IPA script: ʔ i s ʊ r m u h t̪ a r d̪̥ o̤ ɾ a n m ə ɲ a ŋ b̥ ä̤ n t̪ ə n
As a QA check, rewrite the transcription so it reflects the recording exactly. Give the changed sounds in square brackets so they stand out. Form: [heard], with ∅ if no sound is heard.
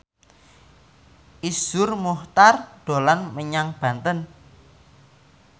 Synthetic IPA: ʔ i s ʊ r m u h t̪ a r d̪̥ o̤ [l] a n m ə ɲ a ŋ b̥ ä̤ n t̪ ə n